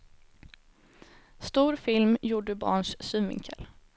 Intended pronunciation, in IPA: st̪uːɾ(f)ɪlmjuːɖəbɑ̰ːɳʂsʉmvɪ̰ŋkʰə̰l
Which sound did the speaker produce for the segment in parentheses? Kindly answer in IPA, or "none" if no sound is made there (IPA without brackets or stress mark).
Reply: f